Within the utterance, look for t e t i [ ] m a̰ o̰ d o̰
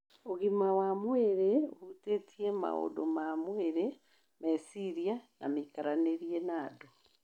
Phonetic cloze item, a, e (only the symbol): e